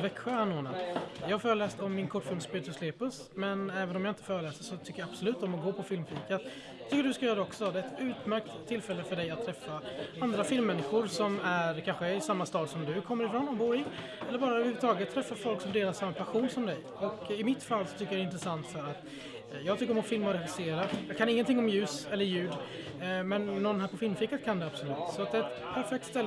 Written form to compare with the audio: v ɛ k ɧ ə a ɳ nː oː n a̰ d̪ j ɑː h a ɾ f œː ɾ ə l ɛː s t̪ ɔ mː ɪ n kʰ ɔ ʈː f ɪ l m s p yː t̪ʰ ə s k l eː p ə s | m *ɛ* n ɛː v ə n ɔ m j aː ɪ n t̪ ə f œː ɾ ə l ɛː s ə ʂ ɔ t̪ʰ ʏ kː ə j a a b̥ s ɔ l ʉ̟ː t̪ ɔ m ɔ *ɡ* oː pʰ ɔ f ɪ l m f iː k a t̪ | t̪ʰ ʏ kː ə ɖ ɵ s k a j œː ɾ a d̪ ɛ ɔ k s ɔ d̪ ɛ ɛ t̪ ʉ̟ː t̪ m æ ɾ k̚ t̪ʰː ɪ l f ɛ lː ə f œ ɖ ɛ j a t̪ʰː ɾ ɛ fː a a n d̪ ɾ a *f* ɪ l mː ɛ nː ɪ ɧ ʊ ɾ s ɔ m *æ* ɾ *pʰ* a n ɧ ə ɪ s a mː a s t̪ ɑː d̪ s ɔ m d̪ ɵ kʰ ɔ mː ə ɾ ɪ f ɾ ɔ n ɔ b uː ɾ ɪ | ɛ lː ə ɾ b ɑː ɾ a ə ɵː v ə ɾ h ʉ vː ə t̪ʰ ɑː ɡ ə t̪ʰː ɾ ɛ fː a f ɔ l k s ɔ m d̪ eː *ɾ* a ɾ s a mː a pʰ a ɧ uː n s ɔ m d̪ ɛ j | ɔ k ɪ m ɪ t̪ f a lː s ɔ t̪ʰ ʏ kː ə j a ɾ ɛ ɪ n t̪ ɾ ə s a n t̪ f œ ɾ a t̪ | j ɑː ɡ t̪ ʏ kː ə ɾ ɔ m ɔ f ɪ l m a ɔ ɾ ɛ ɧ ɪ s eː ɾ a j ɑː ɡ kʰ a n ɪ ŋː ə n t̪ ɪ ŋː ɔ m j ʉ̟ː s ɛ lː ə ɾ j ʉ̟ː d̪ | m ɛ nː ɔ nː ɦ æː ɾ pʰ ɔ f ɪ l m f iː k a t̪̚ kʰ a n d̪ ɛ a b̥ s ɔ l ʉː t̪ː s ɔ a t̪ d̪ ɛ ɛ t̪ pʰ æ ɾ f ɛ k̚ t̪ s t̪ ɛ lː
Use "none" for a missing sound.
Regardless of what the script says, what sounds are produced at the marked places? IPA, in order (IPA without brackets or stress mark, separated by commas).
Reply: ɛ, ɡ, f, æ, kʰ, l